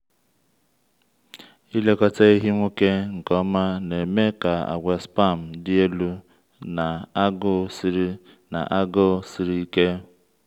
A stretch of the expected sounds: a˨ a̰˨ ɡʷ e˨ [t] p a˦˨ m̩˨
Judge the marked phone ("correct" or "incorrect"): incorrect